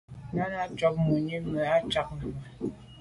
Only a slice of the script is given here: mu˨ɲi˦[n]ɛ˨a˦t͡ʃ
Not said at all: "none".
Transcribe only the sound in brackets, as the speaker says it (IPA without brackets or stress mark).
m